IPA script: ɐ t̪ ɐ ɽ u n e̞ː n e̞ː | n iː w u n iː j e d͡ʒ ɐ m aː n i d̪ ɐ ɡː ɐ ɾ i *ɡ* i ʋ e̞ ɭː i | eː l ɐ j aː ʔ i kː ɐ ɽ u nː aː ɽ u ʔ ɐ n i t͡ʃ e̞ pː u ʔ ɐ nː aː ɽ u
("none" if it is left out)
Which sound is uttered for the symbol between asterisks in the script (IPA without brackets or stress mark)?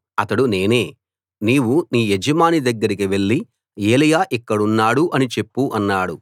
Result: k